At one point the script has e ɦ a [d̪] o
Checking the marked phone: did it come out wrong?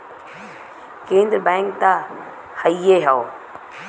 yes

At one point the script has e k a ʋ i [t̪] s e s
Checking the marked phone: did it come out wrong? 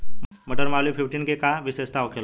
yes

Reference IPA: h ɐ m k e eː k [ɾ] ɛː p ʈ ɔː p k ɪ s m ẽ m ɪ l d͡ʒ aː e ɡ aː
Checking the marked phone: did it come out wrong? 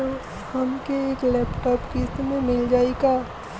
yes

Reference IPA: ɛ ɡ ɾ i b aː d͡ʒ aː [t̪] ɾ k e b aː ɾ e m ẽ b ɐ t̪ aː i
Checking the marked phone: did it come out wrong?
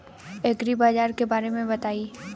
yes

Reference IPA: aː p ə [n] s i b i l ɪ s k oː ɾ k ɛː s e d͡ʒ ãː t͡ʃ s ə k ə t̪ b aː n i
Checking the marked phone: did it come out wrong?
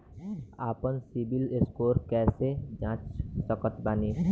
no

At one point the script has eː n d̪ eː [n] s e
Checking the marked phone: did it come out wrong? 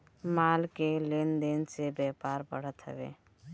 no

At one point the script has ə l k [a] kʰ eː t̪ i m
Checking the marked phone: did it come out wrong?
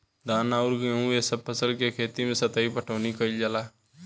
yes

